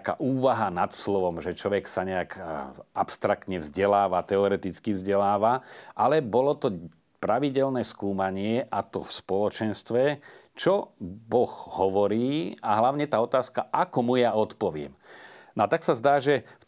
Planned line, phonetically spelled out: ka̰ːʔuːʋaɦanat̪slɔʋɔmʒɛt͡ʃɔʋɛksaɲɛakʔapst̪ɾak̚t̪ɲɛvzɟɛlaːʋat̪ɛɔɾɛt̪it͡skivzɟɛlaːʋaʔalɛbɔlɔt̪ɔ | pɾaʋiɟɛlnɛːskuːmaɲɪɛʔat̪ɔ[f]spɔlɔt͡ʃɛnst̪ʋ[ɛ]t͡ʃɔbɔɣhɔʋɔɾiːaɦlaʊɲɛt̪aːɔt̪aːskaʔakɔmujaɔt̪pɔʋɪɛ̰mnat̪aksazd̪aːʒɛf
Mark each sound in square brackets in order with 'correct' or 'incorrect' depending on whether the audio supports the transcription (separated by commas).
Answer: correct, correct